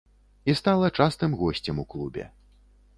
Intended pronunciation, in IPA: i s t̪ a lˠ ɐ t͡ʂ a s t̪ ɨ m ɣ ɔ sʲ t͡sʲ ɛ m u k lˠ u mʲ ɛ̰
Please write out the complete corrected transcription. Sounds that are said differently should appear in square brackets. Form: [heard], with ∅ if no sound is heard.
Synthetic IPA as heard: i s t̪ a lˠ ɐ t͡ʂ a s t̪ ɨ m ɣ ɔ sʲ t͡sʲ ɛ m u k lˠ u [bʲ] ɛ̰